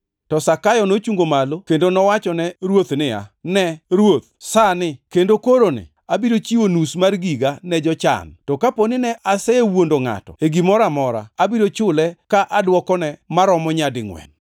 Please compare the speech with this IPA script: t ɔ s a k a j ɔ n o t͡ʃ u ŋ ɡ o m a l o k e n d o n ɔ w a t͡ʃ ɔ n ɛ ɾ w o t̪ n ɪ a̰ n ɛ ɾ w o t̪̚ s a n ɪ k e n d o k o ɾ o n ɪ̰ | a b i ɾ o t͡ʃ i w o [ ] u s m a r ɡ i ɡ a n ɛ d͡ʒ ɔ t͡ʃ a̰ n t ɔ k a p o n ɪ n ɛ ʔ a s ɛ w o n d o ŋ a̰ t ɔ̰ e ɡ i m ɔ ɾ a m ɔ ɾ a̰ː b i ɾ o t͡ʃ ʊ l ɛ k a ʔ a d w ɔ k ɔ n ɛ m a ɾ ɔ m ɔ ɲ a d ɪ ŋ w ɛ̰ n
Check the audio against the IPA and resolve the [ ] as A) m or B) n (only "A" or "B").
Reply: B